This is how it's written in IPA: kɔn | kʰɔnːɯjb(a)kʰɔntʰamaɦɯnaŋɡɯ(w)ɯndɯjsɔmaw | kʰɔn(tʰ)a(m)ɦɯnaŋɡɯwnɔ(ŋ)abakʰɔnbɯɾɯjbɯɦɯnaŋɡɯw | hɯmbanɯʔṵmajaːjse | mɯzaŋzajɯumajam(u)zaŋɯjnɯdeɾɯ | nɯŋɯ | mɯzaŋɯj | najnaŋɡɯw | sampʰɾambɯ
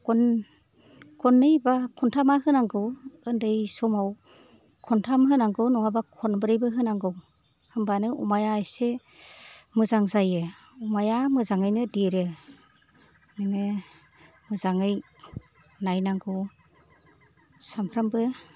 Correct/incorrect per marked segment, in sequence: correct, correct, correct, correct, correct, incorrect

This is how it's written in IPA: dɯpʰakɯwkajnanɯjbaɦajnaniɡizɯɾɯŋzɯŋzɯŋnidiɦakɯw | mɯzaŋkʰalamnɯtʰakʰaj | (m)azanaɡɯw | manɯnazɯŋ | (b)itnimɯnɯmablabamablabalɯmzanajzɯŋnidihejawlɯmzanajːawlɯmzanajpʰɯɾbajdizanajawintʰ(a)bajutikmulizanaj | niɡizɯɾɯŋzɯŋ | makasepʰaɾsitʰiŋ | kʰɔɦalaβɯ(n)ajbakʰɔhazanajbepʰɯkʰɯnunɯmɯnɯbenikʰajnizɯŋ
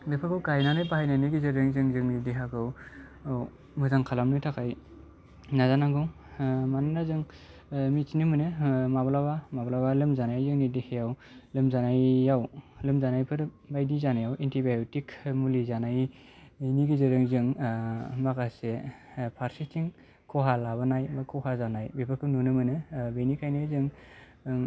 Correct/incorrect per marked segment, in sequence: incorrect, incorrect, incorrect, correct

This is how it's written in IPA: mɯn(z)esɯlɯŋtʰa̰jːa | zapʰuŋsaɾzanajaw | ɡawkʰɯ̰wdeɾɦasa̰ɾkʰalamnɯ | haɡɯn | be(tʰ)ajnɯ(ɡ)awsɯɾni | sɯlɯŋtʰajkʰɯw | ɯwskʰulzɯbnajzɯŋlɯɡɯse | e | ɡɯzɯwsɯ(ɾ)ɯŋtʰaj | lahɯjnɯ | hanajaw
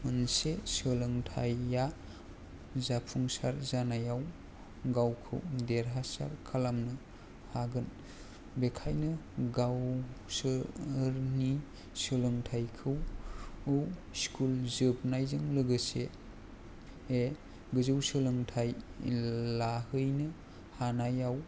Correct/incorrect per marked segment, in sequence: incorrect, incorrect, correct, incorrect

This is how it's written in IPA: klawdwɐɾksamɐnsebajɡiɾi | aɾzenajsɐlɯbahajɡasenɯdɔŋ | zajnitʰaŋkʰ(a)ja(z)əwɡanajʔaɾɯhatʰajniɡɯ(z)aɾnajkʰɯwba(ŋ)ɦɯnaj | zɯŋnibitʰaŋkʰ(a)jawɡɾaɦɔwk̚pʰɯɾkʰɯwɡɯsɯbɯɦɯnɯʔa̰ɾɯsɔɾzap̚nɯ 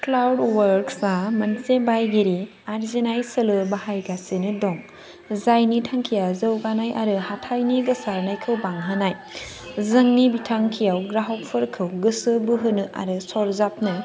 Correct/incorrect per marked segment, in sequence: incorrect, correct, incorrect, correct, incorrect

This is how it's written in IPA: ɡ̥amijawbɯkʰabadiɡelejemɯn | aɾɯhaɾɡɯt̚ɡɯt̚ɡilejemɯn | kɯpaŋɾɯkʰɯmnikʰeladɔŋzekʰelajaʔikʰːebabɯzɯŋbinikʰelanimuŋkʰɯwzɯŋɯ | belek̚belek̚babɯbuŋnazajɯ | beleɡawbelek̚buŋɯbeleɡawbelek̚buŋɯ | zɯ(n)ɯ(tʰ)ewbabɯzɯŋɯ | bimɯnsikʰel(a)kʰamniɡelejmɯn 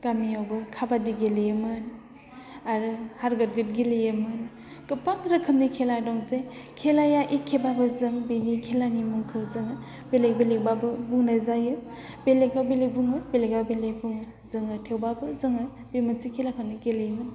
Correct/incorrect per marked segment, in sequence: incorrect, correct, correct

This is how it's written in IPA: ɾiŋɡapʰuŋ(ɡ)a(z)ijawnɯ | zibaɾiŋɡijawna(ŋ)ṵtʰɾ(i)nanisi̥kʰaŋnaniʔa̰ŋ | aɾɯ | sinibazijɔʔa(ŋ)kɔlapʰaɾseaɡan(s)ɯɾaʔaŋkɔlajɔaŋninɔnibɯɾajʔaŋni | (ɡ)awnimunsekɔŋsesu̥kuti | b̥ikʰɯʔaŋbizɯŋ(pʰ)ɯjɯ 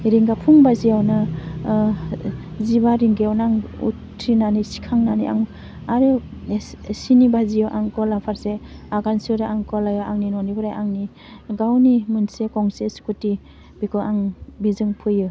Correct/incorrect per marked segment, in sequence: incorrect, correct, correct, correct, correct, correct, correct, correct

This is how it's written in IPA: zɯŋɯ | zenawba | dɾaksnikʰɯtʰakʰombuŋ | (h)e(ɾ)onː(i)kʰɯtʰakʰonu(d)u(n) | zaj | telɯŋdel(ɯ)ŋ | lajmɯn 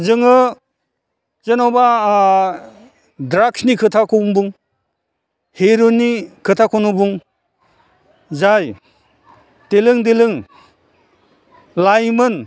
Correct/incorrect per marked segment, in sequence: correct, correct, correct, incorrect, incorrect, correct

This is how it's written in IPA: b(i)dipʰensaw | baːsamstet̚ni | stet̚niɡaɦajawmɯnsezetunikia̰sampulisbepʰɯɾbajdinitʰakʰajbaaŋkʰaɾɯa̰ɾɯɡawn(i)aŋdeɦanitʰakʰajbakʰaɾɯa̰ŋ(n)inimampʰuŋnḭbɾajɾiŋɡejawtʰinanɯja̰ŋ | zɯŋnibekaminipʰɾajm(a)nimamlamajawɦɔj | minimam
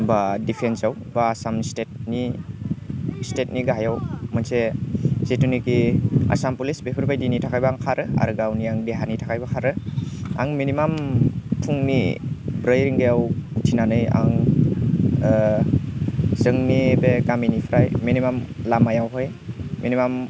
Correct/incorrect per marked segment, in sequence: incorrect, correct, incorrect, incorrect

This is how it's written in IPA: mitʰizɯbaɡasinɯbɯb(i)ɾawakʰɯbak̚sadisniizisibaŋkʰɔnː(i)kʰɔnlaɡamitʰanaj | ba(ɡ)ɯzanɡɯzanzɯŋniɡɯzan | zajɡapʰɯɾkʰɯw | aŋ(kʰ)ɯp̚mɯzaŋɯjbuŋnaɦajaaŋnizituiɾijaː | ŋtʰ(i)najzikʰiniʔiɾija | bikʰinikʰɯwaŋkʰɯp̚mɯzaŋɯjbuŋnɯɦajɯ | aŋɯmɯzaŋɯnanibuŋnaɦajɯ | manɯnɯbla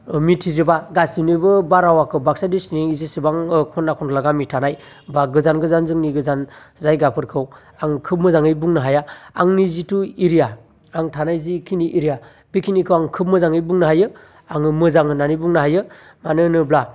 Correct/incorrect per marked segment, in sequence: incorrect, incorrect, correct, correct, incorrect

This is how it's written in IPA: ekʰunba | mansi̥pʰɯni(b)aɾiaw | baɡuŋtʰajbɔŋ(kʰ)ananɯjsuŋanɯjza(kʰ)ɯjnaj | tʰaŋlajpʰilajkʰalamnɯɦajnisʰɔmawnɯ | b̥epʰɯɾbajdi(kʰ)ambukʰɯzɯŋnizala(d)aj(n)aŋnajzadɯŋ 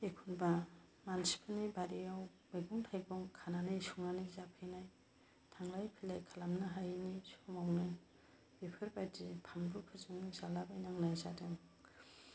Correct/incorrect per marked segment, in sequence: correct, correct, incorrect, incorrect, incorrect, correct

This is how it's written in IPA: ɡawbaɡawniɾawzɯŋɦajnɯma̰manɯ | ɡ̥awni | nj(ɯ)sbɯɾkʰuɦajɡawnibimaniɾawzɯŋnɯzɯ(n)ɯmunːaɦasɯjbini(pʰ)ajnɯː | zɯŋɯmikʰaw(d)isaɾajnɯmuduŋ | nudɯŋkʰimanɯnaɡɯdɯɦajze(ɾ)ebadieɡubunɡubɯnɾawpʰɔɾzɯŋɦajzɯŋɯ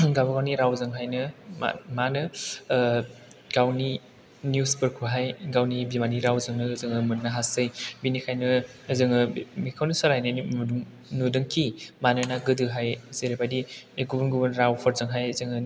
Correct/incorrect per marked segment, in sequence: incorrect, incorrect, incorrect, incorrect, correct

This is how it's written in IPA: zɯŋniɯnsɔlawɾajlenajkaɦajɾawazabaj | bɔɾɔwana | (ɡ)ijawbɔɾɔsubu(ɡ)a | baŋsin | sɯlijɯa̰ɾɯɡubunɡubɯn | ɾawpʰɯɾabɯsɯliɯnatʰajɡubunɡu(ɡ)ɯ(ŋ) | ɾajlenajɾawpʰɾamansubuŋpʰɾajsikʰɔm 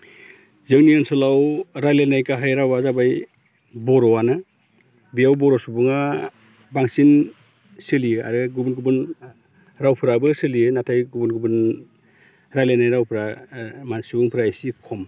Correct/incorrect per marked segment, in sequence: incorrect, incorrect, incorrect, incorrect

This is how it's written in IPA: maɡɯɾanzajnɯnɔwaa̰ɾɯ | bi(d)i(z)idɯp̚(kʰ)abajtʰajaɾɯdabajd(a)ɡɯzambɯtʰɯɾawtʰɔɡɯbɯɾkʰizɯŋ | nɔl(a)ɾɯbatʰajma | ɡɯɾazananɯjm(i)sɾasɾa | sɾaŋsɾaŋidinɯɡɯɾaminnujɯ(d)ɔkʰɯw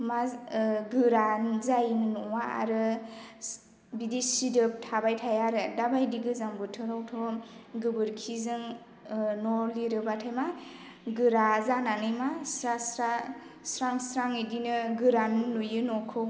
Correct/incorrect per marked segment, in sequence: correct, incorrect, incorrect, incorrect, incorrect, incorrect, incorrect

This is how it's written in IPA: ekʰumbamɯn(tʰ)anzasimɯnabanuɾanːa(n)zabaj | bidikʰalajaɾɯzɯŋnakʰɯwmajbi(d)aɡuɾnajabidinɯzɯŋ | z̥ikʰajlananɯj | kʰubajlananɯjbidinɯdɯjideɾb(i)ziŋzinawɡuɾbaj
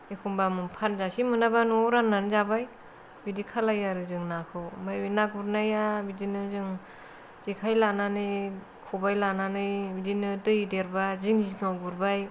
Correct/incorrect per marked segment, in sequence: incorrect, correct, incorrect, incorrect

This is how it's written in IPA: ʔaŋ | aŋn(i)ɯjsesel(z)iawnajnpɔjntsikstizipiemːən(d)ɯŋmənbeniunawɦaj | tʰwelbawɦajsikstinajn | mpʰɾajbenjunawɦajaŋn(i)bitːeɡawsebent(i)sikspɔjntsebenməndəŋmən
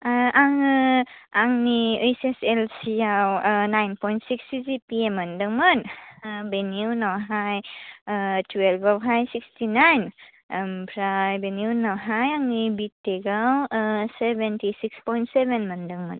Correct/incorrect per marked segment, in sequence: correct, incorrect, correct, correct, correct

